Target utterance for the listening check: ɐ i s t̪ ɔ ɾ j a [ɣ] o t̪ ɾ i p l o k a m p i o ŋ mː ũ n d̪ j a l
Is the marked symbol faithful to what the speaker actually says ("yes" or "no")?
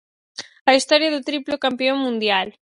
no